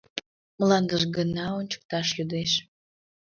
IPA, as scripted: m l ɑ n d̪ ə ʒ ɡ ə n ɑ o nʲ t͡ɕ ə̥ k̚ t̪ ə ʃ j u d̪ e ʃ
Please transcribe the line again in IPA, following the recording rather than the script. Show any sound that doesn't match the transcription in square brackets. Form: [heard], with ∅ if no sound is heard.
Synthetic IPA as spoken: m l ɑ n d̪ ə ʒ ɡ ə n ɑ o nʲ t͡ɕ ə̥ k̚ t̪ [ɑ] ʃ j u d̪ e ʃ